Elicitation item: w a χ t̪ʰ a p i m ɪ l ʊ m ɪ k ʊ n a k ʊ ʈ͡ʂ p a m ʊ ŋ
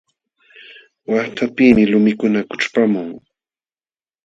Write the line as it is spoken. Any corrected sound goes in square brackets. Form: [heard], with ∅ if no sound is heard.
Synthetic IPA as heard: w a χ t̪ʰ a p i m ɪ l ʊ m ɪ k ʊ n a k ʊ ʈ͡ʂ p a m ʊ ŋ